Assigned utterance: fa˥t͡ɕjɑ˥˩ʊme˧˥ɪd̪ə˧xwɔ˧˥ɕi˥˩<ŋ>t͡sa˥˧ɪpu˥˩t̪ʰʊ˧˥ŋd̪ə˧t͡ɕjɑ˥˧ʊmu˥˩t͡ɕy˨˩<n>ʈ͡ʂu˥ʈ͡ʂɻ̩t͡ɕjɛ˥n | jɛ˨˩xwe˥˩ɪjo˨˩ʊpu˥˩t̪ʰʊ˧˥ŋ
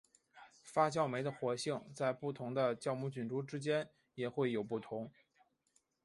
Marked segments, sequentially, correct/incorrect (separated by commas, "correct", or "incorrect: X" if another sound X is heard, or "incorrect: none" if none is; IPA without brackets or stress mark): correct, correct